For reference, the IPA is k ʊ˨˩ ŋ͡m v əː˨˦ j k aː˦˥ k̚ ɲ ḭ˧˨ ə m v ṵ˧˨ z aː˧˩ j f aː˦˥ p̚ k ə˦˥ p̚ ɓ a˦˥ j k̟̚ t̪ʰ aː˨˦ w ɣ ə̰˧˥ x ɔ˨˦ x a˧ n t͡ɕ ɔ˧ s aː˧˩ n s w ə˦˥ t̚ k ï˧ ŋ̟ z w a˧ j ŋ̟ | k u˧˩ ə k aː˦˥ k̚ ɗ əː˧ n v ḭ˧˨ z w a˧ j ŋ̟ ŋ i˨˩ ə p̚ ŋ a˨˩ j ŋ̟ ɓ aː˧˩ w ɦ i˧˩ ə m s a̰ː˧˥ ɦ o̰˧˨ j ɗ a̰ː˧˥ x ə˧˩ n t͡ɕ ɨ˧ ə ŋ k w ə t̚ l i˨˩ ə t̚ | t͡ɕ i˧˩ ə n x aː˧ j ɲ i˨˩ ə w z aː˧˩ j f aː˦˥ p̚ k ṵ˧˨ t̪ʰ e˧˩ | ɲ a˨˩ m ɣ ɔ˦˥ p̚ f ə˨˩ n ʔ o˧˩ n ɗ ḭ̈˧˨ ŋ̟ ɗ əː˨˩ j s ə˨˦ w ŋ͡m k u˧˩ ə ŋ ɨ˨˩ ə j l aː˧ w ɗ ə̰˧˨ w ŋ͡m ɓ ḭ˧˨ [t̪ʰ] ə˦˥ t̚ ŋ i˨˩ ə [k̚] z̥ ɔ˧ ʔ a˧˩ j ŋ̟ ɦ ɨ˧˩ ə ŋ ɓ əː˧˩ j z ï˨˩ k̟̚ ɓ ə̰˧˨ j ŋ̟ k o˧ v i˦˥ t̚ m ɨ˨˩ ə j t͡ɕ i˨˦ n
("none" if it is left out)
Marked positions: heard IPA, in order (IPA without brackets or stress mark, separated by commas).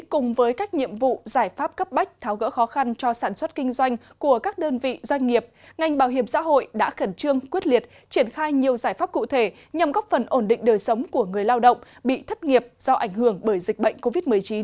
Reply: t̪ʰ, p̚